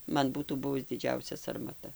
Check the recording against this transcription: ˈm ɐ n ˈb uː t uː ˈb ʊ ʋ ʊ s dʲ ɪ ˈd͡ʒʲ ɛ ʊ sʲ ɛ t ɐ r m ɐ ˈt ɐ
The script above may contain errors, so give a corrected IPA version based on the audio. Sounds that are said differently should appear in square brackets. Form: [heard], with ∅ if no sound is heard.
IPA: ˈm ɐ n ˈb uː t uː ˈb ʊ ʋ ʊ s dʲ ɪ ˈd͡ʒʲ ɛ ʊ sʲ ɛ [s] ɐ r m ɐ ˈt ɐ